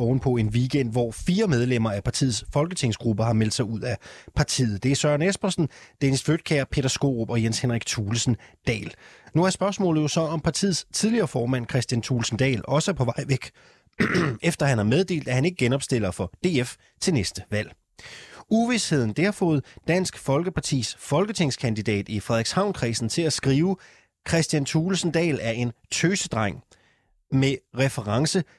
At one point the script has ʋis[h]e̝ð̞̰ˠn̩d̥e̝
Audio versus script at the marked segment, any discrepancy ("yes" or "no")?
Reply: no